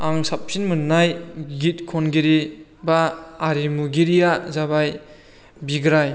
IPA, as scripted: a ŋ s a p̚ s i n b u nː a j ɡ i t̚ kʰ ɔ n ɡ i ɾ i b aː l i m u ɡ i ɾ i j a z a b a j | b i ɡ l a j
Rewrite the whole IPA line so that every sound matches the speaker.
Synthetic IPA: a ŋ s a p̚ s i n m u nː a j ɡ i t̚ kʰ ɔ n ɡ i ɾ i b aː ɾ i m u ɡ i ɾ i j a z a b a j | b i ɡ ɾ a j